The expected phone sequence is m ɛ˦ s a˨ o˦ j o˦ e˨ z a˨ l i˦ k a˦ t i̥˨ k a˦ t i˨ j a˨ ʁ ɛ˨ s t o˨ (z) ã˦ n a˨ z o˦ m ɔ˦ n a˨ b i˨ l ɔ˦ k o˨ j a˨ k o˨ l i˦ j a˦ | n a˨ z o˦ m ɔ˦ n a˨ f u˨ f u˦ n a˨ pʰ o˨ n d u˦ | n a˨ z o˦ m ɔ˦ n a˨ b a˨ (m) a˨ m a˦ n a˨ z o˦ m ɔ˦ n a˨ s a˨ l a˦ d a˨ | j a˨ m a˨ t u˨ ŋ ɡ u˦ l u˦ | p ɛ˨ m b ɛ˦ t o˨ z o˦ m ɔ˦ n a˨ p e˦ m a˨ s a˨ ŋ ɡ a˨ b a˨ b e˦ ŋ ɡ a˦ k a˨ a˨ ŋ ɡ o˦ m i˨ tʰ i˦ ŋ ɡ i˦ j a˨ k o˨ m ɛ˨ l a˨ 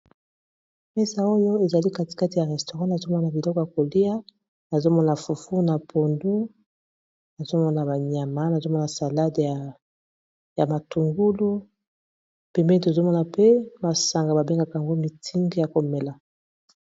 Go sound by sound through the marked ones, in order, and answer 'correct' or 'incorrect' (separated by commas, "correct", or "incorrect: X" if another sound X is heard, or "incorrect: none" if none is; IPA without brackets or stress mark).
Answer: incorrect: ʁ, incorrect: ɲ